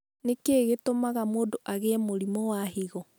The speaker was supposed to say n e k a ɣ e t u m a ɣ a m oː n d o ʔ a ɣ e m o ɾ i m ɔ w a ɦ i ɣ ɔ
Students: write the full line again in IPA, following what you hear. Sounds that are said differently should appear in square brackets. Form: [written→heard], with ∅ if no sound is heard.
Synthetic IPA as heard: n e k [a→e] ɣ e t [u→o] m a ɣ a m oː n d o ʔ a ɣ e m o ɾ i m ɔ w a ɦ i ɣ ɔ